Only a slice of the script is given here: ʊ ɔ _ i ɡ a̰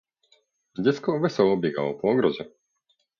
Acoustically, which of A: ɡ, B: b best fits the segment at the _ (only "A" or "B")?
B